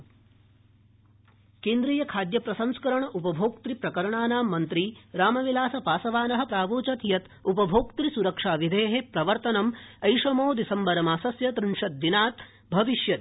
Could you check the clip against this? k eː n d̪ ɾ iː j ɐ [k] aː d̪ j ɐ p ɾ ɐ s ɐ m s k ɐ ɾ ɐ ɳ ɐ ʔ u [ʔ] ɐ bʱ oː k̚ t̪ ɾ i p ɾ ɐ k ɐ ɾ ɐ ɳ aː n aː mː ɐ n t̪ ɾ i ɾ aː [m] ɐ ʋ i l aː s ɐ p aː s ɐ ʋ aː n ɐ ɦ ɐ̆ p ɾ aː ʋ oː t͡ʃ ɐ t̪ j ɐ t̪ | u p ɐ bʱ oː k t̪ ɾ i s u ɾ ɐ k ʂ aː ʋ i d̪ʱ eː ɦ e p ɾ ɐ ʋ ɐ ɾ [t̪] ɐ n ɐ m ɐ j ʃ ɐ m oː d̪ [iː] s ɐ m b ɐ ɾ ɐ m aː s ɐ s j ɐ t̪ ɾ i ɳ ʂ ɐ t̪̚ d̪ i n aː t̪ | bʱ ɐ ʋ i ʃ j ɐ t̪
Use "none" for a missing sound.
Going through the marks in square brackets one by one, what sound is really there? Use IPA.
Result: kʰ, p, m, t̪, i

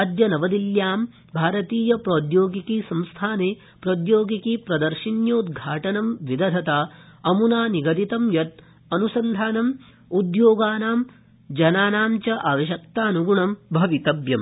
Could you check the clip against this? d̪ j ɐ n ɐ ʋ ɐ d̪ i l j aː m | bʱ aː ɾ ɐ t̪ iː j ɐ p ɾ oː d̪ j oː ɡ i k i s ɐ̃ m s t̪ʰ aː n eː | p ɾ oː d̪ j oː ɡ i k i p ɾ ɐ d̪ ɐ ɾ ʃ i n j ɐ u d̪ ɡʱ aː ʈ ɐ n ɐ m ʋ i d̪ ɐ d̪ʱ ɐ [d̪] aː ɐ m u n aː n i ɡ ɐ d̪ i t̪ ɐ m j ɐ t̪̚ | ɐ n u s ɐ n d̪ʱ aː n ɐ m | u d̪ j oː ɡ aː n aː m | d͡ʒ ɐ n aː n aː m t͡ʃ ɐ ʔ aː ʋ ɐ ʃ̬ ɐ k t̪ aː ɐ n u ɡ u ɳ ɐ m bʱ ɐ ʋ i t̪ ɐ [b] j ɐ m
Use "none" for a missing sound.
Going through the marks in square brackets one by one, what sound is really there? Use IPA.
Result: t̪, b

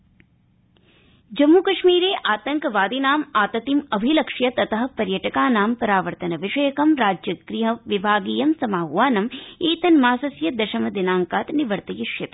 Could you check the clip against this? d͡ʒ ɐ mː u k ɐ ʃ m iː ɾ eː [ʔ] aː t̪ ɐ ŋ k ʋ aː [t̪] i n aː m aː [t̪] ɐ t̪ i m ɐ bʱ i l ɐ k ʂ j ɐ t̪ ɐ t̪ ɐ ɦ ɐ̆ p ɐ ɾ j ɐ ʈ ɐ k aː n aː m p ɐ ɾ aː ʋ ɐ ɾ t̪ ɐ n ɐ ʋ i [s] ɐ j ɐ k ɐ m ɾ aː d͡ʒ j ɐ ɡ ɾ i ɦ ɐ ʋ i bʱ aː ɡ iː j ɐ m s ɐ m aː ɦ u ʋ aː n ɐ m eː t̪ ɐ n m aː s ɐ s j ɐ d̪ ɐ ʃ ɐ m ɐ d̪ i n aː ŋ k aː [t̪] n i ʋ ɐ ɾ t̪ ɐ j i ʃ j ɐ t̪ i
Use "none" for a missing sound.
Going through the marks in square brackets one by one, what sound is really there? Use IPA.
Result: ʔ, d̪, t̪, ʂ, t̪

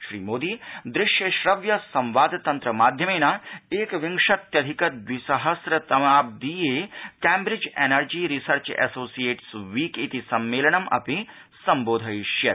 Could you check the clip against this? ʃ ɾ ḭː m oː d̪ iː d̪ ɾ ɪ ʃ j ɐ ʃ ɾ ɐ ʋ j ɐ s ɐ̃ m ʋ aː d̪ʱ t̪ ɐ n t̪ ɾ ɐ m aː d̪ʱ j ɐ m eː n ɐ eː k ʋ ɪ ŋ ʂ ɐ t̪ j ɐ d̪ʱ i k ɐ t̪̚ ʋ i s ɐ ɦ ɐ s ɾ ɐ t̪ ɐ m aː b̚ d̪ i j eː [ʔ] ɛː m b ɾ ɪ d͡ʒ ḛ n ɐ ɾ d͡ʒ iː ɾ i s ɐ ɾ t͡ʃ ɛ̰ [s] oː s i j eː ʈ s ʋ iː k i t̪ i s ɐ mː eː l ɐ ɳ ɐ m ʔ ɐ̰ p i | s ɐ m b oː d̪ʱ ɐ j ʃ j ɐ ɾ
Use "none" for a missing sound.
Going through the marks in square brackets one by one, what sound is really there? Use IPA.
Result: k, s

